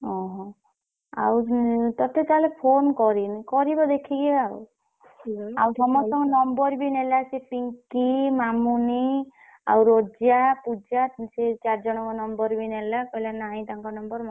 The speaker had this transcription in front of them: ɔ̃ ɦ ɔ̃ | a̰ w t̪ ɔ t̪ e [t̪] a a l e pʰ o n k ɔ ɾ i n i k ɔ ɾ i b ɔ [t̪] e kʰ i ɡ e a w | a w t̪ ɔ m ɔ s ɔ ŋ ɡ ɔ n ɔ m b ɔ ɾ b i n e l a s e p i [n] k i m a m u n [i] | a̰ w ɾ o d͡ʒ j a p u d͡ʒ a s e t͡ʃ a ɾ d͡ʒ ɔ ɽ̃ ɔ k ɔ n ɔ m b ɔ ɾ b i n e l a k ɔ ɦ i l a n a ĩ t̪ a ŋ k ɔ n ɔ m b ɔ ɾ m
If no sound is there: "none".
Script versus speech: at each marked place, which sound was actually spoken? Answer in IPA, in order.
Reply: t̪, d̪, ŋ, i

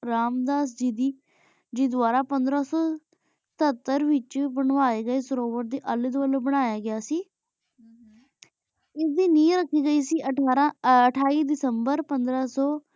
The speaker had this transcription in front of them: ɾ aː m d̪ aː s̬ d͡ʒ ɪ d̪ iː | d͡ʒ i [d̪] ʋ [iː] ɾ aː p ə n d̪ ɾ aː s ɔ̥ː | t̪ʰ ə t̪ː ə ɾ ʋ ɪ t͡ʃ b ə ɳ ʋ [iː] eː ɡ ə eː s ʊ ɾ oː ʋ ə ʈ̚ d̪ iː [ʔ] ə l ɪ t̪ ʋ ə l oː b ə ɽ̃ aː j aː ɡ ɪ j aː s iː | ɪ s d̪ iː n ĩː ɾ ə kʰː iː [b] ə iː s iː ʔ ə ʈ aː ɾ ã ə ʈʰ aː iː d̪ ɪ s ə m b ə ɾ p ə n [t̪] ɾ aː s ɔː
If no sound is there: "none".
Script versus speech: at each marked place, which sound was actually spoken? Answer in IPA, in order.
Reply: d̪, aː, aː, ʔ, ɡ, d̪

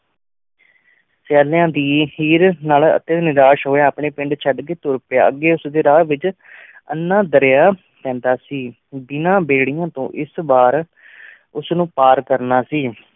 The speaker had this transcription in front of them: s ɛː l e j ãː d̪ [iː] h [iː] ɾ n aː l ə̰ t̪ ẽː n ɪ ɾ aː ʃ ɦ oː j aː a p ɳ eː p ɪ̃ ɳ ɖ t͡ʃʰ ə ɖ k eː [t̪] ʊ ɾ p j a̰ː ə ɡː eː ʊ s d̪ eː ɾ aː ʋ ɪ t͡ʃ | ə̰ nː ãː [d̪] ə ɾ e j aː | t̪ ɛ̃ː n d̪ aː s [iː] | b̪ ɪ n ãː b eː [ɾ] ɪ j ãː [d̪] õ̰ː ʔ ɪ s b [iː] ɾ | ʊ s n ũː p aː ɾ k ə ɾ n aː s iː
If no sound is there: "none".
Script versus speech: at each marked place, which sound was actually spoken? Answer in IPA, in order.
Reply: iː, iː, t̪, d̪, iː, ɽ, t̪, aː

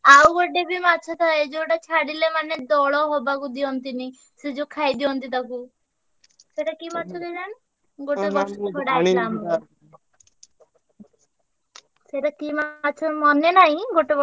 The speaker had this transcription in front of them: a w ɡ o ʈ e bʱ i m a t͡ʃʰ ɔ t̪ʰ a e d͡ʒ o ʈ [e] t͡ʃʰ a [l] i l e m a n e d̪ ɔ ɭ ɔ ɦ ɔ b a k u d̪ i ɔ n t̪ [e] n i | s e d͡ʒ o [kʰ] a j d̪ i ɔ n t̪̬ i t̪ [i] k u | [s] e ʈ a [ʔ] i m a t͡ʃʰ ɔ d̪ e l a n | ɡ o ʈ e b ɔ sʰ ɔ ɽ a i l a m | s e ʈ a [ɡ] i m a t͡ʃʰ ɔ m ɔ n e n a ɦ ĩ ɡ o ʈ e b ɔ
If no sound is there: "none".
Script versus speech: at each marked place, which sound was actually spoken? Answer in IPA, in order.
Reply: a, ɽ, i, kʰ, a, s, k, k

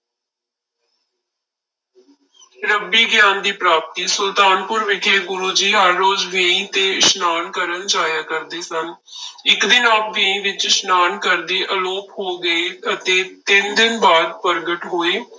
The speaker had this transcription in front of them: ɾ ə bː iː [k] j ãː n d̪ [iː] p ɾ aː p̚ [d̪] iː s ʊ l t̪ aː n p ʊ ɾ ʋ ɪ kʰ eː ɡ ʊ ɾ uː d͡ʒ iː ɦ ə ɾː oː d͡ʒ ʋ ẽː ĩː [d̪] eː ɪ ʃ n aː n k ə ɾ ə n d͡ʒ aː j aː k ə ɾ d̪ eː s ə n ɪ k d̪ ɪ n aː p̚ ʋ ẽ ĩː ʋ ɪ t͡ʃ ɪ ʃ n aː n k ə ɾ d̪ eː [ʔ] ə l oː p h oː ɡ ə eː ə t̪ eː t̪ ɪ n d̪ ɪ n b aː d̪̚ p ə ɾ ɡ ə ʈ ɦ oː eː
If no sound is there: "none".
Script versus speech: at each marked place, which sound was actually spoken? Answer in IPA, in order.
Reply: ɡ, iː, t̪, t̪, ʔ

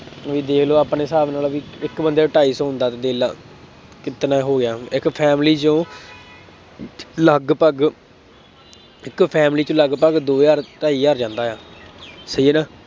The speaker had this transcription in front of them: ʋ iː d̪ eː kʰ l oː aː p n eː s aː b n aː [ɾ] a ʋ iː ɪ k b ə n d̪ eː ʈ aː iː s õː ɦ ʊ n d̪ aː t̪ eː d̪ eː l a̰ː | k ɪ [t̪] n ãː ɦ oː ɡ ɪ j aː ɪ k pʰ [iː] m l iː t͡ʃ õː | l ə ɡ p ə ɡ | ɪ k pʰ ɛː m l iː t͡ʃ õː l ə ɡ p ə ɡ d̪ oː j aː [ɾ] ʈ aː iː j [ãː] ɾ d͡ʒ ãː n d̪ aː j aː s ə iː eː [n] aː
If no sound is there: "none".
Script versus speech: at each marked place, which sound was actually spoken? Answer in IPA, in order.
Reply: l, t̪, ɛː, ɾ, aː, n

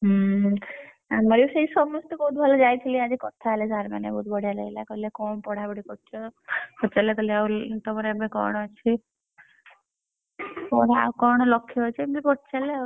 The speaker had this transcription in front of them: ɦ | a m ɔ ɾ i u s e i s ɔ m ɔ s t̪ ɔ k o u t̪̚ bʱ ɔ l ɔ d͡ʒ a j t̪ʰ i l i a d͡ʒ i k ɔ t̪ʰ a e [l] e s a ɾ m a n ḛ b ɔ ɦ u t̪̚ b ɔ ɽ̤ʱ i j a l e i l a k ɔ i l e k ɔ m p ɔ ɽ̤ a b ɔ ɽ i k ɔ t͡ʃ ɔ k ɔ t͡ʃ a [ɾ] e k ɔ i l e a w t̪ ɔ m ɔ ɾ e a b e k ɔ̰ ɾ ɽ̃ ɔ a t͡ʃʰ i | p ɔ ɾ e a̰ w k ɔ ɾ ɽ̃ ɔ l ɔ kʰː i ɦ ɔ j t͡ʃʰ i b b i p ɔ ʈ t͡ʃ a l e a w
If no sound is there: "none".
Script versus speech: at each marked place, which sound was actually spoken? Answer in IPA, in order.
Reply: l, l

